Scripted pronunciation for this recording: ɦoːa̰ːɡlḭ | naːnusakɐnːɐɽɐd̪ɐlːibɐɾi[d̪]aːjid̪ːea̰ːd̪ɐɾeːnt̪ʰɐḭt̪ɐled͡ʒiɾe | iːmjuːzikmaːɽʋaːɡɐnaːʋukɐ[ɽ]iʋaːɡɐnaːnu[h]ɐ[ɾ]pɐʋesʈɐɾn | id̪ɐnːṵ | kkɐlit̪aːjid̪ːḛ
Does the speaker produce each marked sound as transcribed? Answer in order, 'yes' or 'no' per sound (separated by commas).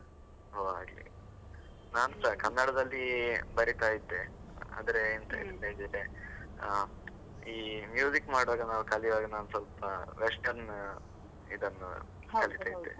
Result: no, no, no, no